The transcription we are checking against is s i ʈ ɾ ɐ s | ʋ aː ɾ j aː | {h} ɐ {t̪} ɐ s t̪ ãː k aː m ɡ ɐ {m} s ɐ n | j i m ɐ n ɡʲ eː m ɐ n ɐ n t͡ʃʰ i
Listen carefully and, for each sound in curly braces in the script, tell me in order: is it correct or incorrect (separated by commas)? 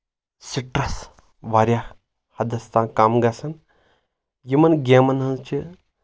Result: correct, incorrect, incorrect